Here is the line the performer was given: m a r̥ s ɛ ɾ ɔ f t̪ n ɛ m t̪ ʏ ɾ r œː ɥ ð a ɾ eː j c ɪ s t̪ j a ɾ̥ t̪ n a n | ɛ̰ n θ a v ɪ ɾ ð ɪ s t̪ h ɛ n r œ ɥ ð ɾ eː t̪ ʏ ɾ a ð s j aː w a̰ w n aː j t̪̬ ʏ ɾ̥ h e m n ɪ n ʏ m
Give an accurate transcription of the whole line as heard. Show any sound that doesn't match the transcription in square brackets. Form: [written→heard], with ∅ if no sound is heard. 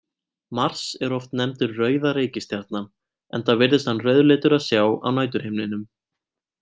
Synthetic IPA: m a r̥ s ɛ ɾ ɔ f t̪ n ɛ m t̪ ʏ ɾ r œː ɥ ð a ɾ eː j c ɪ s t̪ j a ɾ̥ t̪ n a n | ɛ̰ n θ a v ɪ ɾ ð ɪ s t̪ h [ɛ→a] n r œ ɥ ð [ɾ→l] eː t̪ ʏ ɾ a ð s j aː w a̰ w n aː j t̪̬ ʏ ɾ̥ h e m n ɪ n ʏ m

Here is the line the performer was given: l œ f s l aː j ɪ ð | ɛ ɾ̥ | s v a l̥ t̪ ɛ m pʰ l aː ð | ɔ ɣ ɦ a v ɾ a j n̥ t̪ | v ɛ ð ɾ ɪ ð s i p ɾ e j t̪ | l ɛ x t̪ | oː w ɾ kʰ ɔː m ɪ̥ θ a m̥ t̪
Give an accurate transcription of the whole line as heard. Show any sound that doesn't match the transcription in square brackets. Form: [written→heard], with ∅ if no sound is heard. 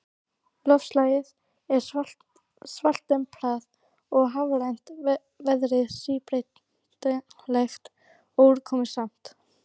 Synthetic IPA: l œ f s l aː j ɪ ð | ɛ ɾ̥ | s v a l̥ t̪ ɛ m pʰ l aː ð | ɔ ɣ ɦ a v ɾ a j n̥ t̪ | v ɛ ð ɾ ɪ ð s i p ɾ e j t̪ | l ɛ x t̪ | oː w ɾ kʰ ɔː m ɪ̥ [θ→s] a m̥ t̪

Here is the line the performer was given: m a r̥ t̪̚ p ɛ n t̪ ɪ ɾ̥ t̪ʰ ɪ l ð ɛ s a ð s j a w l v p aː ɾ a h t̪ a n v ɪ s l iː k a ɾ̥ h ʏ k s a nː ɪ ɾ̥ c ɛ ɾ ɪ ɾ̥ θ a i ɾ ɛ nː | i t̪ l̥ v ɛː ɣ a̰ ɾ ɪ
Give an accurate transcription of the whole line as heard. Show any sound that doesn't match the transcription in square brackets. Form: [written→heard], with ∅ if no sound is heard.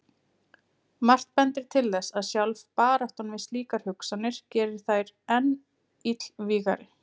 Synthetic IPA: m a r̥ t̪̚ p ɛ n t̪ ɪ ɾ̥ t̪ʰ ɪ l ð ɛ s a ð s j a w l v p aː ɾ a h t̪ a n v ɪ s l iː k a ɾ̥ h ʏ k s a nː ɪ ɾ̥ c [ɛ→ɛː] ɾ ɪ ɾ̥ θ a [i→j] ɾ ɛ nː | i t̪ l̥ v [ɛː→iː] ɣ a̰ ɾ ɪ

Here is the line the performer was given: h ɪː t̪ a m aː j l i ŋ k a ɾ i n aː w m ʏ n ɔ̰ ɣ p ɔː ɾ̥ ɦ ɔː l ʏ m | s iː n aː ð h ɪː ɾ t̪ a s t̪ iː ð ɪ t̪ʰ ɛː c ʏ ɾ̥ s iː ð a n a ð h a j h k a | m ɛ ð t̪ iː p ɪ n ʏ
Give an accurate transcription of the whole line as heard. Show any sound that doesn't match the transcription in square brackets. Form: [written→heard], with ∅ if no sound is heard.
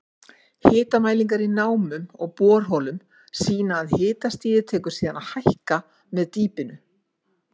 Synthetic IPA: h ɪː t̪ a m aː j l i ŋ k a ɾ i n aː w m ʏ [n→m] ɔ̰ ɣ p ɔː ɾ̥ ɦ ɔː l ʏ m | s iː n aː ð h ɪː [ɾ→∅] t̪ a s t̪ iː ð ɪ t̪ʰ ɛː [c→k] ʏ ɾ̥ s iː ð a n a ð h a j h k a | m ɛ ð t̪ iː p ɪ n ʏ

